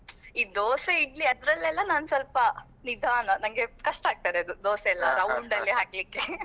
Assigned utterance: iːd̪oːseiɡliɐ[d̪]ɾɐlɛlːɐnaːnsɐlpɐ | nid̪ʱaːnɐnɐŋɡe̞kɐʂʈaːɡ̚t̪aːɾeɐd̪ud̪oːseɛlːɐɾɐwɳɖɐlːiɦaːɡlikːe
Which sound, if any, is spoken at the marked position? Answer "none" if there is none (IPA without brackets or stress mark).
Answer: d̪